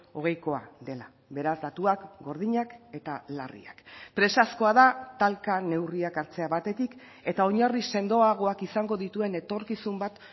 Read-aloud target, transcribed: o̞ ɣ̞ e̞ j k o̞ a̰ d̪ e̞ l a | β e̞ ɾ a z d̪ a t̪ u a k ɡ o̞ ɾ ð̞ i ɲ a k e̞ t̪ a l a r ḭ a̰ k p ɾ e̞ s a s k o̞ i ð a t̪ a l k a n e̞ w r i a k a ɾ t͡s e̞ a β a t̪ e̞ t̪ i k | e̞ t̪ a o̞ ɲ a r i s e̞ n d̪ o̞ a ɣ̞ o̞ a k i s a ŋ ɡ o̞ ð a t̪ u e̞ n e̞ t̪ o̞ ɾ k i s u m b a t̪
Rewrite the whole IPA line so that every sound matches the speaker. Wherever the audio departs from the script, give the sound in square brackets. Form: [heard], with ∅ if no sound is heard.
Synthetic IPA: o̞ ɣ̞ e̞ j k o̞ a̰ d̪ e̞ l a | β e̞ ɾ a z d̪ a t̪ u a k ɡ o̞ ɾ ð̞ i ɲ a k e̞ t̪ a l a r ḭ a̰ k p ɾ e̞ s a s k o̞ [a] ð a t̪ a l k a n e̞ w r i a k a ɾ t͡s e̞ a β a t̪ e̞ t̪ i k | e̞ t̪ a o̞ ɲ a r i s e̞ n d̪ o̞ a ɣ̞ o̞ a k i s a ŋ ɡ o̞ ð [i] t̪ u e̞ n e̞ t̪ o̞ ɾ k i s u m b a t̪